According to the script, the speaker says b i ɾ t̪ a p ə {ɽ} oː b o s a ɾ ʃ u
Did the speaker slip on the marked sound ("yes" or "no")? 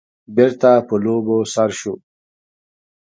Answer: yes